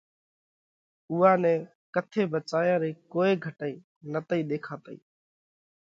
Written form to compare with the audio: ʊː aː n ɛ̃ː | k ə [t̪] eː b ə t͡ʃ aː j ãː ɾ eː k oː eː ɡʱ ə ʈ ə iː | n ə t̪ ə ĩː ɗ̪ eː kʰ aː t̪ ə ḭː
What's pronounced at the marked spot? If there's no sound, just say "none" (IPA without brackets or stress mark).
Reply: t̪ʰ